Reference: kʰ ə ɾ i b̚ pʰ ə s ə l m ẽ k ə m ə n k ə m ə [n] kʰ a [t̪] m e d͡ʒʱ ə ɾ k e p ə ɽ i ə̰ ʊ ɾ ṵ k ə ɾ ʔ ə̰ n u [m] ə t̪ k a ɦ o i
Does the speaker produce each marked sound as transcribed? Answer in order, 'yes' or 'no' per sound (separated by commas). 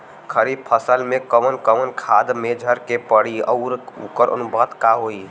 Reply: yes, no, no